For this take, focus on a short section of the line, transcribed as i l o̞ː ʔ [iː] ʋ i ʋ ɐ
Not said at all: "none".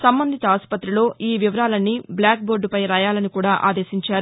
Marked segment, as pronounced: iː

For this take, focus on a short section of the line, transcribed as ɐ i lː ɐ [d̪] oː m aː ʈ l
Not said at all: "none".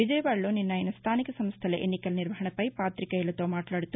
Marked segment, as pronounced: t̪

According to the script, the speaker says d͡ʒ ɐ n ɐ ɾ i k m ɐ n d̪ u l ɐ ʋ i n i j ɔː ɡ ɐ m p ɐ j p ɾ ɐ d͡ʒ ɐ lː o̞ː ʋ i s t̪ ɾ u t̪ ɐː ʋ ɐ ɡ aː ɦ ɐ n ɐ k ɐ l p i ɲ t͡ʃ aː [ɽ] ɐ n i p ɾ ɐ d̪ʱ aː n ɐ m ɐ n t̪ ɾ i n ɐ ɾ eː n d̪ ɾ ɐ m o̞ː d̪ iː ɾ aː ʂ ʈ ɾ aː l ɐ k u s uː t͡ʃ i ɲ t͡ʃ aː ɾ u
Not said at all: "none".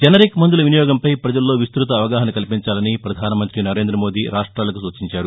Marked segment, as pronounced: l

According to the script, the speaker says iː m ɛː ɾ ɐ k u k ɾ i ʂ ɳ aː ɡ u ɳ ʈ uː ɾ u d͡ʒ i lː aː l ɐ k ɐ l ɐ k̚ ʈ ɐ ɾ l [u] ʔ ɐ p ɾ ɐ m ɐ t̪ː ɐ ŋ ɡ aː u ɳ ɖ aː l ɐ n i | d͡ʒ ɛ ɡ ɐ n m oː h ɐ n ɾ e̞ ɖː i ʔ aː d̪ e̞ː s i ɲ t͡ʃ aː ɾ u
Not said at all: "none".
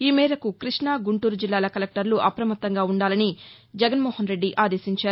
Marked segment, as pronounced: u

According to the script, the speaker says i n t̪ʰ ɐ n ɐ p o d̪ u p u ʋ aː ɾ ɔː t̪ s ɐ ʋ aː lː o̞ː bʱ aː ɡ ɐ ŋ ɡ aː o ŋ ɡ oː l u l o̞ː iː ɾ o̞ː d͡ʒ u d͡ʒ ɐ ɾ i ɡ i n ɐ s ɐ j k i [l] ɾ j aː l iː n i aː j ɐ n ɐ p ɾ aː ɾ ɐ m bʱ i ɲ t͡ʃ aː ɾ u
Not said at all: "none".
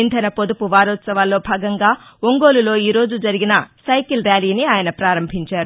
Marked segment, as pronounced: l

